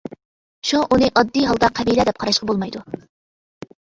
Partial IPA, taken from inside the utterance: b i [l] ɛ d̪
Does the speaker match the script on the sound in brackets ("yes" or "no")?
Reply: yes